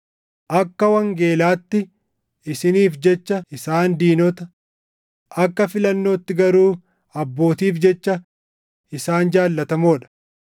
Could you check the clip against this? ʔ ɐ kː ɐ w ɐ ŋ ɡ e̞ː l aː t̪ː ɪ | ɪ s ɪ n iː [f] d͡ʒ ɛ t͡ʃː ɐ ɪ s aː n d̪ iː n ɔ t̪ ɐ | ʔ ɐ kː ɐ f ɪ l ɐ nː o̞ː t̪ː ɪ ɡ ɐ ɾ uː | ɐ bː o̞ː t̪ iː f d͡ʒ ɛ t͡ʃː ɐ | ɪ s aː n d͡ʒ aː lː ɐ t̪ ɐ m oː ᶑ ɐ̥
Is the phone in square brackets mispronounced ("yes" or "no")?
no